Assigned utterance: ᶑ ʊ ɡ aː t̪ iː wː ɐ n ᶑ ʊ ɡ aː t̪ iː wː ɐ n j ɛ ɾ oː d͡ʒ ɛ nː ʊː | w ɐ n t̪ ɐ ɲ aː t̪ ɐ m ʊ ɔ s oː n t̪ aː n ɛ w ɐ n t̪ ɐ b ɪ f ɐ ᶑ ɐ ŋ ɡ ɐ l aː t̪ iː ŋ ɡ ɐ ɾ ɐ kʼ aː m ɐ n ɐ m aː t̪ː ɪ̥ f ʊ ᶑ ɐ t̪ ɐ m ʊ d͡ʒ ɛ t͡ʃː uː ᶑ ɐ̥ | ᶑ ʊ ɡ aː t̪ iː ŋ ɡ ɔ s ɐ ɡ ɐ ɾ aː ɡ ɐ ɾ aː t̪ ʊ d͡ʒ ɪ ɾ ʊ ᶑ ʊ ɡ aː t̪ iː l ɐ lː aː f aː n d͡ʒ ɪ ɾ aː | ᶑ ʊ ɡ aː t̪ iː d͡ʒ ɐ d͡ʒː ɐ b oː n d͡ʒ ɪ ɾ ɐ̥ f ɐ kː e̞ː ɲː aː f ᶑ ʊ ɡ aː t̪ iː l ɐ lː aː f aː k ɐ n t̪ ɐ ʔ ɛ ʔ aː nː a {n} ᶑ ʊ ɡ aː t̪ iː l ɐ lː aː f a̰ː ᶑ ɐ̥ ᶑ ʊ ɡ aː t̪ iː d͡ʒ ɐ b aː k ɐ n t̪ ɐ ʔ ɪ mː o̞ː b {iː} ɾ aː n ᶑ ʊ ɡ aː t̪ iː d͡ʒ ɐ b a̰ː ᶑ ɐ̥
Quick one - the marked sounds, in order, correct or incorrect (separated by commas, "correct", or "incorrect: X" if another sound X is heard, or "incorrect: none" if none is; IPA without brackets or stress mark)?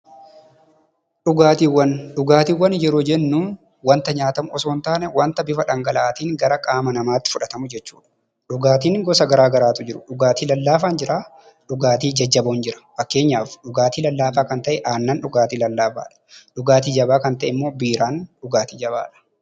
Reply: correct, correct